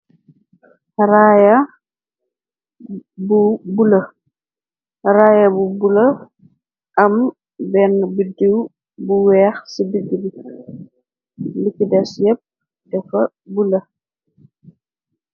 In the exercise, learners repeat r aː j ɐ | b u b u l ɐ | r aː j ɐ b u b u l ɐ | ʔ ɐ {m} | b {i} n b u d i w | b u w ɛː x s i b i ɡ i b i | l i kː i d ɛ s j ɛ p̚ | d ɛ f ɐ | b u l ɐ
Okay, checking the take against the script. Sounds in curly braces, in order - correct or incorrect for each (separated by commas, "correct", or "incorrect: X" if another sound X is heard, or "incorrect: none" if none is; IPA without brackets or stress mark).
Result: correct, incorrect: ɛ